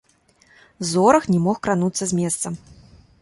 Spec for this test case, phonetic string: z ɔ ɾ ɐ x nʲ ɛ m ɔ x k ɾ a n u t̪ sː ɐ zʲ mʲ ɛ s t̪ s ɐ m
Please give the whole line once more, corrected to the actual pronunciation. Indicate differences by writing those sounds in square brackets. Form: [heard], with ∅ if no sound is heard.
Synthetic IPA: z ɔ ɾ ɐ x nʲ ɛ m ɔ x k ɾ a n u t̪ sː ɐ zʲ mʲ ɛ s t̪ s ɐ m